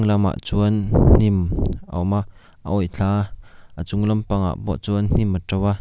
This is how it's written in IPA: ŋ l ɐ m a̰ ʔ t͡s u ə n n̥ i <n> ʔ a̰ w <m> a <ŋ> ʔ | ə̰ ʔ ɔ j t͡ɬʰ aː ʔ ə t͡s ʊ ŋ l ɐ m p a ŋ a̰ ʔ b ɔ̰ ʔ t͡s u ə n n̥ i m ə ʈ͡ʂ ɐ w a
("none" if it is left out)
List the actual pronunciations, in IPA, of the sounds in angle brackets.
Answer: m, m, none

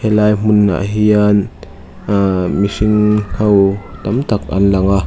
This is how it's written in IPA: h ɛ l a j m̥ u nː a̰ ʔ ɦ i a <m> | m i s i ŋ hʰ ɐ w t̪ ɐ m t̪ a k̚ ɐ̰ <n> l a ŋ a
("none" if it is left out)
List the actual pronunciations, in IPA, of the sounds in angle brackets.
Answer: n, n

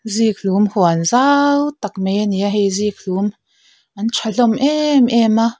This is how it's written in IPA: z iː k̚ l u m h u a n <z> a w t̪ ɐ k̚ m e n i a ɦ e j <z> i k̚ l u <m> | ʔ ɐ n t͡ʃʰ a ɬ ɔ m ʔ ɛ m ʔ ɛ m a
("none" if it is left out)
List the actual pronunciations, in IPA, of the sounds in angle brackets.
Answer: z, z, m

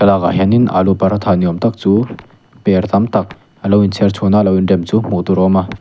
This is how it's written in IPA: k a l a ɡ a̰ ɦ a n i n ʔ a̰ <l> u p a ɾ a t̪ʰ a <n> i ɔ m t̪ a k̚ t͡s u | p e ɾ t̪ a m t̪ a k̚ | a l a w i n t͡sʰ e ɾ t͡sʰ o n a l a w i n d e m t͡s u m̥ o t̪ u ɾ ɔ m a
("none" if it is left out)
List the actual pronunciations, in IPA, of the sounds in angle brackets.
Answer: l, n

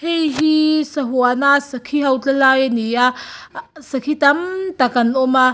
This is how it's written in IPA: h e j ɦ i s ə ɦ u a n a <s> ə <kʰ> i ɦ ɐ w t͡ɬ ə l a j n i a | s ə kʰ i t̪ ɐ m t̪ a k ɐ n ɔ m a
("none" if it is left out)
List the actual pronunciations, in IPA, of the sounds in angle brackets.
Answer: s, kʰ

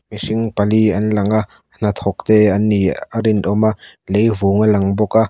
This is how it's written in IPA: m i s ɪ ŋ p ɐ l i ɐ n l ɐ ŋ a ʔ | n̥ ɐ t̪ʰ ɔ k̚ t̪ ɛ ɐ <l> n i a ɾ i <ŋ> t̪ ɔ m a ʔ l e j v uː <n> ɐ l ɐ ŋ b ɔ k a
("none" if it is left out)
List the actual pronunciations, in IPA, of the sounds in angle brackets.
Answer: none, n, ŋ

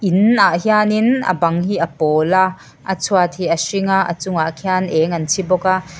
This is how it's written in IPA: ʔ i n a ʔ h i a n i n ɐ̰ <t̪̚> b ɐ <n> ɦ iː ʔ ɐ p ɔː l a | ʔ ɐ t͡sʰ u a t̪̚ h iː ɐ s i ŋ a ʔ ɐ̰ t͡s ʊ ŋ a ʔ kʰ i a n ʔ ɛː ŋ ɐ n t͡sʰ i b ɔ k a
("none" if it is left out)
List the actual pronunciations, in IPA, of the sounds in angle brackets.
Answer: none, ŋ

